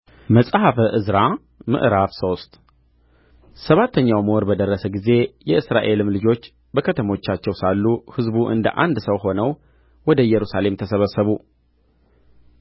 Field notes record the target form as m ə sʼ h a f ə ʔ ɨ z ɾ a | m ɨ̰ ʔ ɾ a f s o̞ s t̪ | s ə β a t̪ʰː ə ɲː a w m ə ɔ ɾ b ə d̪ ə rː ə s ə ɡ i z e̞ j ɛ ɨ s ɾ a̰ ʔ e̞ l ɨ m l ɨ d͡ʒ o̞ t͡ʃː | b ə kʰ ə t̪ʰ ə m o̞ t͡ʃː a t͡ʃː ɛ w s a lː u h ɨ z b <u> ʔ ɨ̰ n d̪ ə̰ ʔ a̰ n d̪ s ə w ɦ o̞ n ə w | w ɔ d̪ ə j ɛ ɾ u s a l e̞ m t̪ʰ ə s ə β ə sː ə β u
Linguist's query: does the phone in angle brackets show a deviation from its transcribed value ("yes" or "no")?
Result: no